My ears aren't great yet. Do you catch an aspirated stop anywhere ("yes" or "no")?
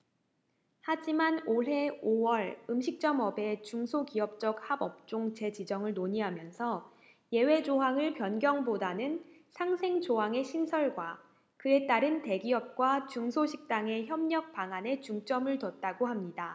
no